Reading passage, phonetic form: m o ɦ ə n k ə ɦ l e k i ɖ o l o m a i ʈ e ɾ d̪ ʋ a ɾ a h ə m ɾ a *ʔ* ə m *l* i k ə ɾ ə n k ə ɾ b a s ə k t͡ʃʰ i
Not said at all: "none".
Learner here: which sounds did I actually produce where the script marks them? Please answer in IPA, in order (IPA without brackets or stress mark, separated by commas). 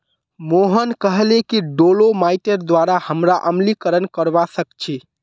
ʔ, l